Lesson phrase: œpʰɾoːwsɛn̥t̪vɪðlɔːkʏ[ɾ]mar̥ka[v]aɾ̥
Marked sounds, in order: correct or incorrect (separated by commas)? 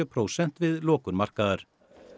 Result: correct, incorrect